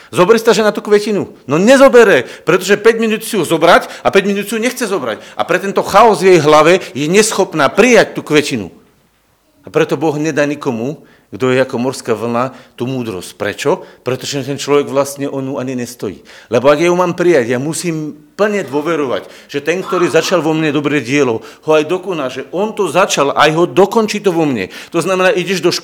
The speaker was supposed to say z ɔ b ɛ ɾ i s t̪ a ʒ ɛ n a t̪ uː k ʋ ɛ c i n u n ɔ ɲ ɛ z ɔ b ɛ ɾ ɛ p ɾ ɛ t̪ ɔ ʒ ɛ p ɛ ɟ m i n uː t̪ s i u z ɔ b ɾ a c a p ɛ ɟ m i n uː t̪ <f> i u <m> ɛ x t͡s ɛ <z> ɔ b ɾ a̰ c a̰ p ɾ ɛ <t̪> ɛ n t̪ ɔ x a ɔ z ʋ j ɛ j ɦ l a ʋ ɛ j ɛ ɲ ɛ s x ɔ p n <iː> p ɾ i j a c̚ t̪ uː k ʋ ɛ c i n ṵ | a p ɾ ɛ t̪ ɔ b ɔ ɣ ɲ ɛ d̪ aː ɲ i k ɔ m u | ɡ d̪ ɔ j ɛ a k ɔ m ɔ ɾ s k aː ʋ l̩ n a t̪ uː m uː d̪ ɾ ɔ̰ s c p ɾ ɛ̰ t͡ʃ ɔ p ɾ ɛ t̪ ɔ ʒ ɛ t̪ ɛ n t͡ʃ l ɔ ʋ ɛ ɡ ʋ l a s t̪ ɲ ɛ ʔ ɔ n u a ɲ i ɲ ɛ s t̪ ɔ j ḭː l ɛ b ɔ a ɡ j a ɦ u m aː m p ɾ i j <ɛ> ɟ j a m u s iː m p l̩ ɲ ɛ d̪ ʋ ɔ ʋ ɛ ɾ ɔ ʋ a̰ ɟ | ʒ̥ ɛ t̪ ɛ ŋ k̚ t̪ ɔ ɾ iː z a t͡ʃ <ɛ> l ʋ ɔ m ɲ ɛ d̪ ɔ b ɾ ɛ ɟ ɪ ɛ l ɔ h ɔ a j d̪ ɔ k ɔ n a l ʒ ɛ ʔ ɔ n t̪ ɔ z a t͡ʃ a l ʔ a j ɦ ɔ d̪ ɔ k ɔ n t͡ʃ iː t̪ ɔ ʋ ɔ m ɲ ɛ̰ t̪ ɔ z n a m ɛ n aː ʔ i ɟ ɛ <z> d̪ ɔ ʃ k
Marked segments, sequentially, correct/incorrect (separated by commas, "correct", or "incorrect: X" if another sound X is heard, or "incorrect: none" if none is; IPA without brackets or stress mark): incorrect: s, incorrect: ɲ, correct, correct, incorrect: aː, incorrect: a, incorrect: a, incorrect: ʒ